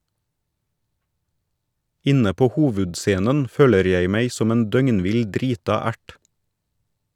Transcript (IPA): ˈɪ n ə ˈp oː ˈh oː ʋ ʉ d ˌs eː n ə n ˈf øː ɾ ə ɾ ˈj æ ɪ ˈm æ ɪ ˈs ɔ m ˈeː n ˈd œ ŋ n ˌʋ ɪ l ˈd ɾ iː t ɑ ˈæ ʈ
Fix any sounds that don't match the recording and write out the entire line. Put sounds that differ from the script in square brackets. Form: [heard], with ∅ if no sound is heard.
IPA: ˈɪ n ə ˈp oː ˈh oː ʋ ʉ d ˌs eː n ə n ˈf øː [l] ə ɾ ˈj æ ɪ ˈm æ ɪ ˈs ɔ m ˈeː n ˈd œ ŋ n ˌʋ ɪ l ˈd ɾ iː t ɑ ˈæ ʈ

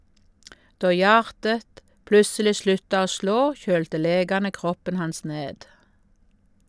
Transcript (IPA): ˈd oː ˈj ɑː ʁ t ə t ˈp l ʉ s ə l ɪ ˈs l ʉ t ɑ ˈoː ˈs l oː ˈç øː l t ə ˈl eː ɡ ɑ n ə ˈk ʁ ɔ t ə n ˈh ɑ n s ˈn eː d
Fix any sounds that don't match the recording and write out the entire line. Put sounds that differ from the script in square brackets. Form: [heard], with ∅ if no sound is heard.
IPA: ˈd oː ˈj ɑː ʁ t ə t ˈp l ʉ s ə l ɪ ˈs l ʉ t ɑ ˈoː ˈs l oː ˈç øː l t ə ˈl eː ɡ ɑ n ə ˈk ʁ ɔ [p] ə n ˈh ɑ n s ˈn eː d

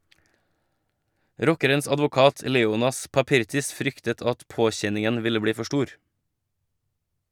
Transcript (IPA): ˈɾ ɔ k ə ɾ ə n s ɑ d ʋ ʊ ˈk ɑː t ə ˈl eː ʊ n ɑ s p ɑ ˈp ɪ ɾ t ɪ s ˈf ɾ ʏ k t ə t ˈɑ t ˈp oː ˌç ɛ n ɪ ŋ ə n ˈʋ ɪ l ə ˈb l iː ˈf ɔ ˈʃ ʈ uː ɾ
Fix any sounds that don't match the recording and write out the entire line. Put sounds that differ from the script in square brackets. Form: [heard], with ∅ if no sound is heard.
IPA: ˈɾ ɔ k ə ɾ ə n s ɑ d ʋ ʊ ˈk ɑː t ə ˈl eː ʊ n ɑ s p ɑ ˈp ɪ ɾ t ɪ s ˈf ɾ ʏ k t ə t ˈɑ t ˈp oː ˌç ɛ n ɪ ŋ ə n ˈʋ ɪ l ə ˈb [ɽ] iː ˈf ɔ ˈʃ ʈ uː ɾ

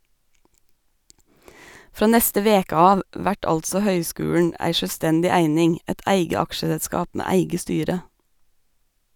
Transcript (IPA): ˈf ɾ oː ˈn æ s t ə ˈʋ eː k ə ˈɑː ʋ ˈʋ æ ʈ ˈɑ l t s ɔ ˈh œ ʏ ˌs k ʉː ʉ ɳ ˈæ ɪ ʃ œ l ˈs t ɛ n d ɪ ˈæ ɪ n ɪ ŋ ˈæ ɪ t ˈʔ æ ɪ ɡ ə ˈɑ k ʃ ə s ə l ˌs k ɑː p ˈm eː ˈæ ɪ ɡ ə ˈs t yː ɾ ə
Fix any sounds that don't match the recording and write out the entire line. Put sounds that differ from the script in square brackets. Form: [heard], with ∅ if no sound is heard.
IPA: ˈf ɾ oː ˈn [ɛ] s t ə ˈʋ eː k ə ˈɑː ʋ ˈʋ æ ʈ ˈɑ l t s ɔ ˈh œ ʏ ˌs k ʉː ʉ ɳ ˈæ ɪ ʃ œ l ˈs t ɛ n d ɪ ˈæ ɪ n ɪ ŋ ˈæ ɪ t ˈʔ æ ɪ ɡ ə ˈɑ k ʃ ə s ə l ˌs k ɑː p ˈm eː ˈæ ɪ ɡ ə ˈs t yː ɾ ə

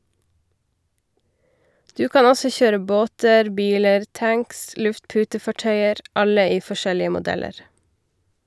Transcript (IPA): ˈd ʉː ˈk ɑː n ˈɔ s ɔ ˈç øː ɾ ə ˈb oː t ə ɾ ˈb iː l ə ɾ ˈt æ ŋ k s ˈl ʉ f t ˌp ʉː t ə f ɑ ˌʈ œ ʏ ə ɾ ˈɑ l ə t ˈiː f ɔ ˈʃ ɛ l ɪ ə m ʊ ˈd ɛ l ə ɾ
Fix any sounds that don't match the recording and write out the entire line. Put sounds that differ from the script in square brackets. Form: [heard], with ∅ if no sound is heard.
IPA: ˈd ʉː ˈk ɑː n ˈɔ s ɔ ˈç øː ɾ ə ˈb oː t ə ɾ ˈb iː l ə ɾ ˈt æ ŋ k s ˈl ʉ f t ˌp ʉː t ə f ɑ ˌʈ œ ʏ ə ɾ ˈɑ l ə [∅] ˈiː f ɔ ˈʃ ɛ l ɪ ə m ʊ ˈd ɛ l ə ɾ

